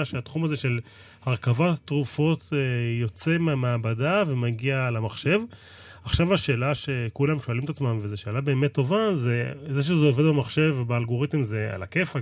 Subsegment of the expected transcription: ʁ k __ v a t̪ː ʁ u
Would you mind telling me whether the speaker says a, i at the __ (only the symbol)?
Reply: a